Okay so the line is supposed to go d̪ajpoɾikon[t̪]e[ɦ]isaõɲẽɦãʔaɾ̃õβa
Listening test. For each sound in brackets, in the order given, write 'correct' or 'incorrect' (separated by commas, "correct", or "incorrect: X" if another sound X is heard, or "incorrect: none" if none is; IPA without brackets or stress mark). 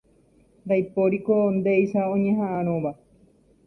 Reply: incorrect: d̪, incorrect: none